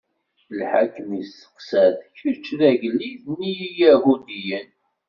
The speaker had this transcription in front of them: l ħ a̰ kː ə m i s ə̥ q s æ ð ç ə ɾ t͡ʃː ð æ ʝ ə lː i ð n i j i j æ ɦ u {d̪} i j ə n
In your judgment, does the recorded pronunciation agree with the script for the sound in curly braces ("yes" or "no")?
yes